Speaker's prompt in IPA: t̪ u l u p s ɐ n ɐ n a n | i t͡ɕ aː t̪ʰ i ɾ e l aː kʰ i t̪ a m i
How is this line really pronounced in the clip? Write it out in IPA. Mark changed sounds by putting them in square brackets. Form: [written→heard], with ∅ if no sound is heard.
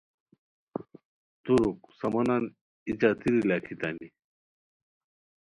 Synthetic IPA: t̪ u [l→ɾ] u [p→k] s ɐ [n→m] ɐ n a n | i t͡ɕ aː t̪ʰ i ɾ [e→i] l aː kʰ i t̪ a m i